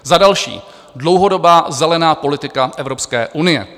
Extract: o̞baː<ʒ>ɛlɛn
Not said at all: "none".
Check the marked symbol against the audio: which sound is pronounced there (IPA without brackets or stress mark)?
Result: z